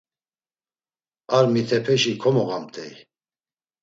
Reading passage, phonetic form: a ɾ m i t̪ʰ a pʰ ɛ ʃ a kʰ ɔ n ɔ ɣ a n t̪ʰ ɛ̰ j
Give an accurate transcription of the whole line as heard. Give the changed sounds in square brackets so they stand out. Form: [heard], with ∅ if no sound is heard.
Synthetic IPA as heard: a ɾ m i t̪ʰ [ɛ] pʰ ɛ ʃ [i] kʰ ɔ [m] ɔ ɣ a [m] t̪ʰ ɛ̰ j